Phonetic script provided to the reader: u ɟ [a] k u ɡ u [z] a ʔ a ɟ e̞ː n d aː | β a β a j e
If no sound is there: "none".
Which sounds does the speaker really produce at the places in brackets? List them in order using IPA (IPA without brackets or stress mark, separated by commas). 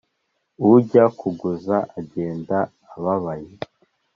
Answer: a, z